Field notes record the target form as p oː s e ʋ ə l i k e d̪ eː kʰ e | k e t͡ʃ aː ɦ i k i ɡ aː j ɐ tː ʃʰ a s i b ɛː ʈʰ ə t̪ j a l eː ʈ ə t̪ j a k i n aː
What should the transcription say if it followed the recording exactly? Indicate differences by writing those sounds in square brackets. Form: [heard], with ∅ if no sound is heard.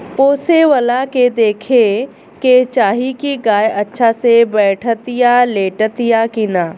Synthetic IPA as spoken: p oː s e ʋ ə l [a] k e d̪ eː kʰ e | k e t͡ʃ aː ɦ i k i ɡ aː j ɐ tː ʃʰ a s [e] b ɛː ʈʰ ə t̪ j a l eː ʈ ə t̪ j a k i n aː